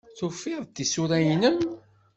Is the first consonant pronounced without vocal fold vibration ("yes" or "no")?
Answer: yes